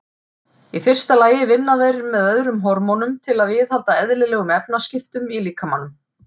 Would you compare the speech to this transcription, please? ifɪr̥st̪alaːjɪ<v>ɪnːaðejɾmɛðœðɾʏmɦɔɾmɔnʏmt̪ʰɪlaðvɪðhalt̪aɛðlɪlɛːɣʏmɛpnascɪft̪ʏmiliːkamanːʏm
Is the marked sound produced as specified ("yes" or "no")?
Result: yes